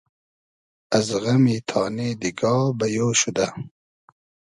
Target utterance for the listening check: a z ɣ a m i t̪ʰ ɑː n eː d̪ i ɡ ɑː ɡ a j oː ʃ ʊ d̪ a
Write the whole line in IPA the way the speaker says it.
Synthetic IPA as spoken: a z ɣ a m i t̪ʰ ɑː n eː d̪ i ɡ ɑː b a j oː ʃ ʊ d̪ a